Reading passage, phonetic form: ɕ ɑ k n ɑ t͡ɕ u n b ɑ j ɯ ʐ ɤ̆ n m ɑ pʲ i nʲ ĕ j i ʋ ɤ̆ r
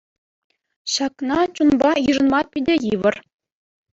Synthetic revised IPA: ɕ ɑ k n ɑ t͡ɕ u n b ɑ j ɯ ʐ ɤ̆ n m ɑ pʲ i dʲ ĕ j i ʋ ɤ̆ r